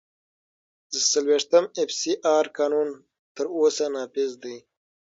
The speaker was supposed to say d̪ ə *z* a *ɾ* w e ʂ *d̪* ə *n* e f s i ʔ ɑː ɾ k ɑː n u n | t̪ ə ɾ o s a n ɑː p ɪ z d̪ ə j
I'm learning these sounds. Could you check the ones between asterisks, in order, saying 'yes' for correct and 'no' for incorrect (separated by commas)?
no, no, no, no